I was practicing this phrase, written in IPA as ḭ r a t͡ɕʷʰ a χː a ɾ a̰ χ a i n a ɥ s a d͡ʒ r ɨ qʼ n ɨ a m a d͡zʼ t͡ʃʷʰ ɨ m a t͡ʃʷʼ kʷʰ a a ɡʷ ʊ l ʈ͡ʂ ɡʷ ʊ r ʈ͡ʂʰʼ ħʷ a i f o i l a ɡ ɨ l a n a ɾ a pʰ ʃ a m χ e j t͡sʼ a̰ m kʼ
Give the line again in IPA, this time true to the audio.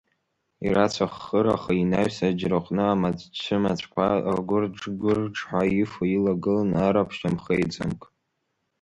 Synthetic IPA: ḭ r a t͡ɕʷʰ a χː ə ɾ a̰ χ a i n a ɥ s a d͡ʒ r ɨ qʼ n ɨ a m a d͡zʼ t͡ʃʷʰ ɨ m a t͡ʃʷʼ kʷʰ a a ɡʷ ʊ r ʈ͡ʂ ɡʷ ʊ r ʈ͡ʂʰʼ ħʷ a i f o i l a ɡ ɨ l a n a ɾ a pʰ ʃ a m χ e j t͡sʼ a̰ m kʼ